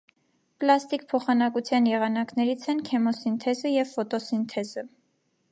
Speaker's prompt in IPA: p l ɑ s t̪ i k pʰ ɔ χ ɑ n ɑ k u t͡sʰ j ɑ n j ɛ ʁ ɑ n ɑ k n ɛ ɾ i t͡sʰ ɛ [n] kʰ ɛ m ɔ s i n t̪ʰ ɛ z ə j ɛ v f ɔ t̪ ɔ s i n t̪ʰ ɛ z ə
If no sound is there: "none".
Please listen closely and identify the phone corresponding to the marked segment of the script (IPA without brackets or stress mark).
n